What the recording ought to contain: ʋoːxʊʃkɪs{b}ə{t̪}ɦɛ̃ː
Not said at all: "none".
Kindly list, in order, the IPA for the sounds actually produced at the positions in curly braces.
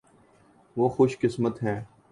m, t̪

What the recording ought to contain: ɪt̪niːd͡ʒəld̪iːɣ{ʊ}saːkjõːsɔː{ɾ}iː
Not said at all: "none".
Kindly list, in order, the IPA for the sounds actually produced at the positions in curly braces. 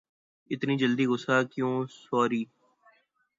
ʊ, ɾ

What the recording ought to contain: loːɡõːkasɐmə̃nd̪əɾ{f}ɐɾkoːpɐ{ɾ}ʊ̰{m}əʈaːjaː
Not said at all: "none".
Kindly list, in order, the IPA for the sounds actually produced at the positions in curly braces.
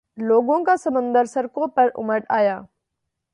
s, ɾ, m

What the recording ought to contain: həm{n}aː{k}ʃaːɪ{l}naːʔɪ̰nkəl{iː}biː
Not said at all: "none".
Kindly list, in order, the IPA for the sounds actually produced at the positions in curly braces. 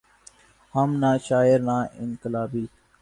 n, none, ɾ, aː

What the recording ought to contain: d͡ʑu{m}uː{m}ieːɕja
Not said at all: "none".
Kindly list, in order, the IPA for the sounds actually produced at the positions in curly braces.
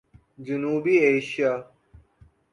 n, b

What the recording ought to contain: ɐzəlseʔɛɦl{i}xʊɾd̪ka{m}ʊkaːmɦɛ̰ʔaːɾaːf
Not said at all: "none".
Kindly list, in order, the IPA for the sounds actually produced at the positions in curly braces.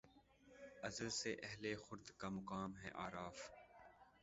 e, m

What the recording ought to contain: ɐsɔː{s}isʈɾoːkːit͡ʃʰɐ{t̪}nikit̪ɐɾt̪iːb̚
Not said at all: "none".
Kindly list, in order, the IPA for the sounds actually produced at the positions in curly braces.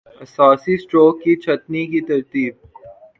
s, t̪

